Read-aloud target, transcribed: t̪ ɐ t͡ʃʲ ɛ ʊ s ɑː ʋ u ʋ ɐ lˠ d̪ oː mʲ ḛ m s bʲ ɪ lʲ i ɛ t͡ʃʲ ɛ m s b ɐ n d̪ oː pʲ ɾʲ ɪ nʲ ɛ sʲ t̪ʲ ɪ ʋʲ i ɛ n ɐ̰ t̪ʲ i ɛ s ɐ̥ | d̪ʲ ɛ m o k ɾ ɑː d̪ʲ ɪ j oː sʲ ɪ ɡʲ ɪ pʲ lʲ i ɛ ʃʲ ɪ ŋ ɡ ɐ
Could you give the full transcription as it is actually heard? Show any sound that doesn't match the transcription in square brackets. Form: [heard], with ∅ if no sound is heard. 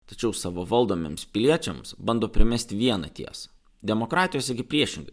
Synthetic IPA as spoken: t̪ ɐ t͡ʃʲ ɛ ʊ s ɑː ʋ [o] ʋ ɐ lˠ d̪ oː mʲ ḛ m s [pʲ] ɪ lʲ i ɛ t͡ʃʲ ɛ m s b ɐ n d̪ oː pʲ ɾʲ ɪ [mʲ] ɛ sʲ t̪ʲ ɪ ʋʲ i ɛ n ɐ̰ t̪ʲ i ɛ s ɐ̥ | d̪ʲ ɛ m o k ɾ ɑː [t̪ʲ] ɪ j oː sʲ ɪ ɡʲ ɪ pʲ [ɾʲ] i ɛ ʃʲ ɪ ŋ ɡ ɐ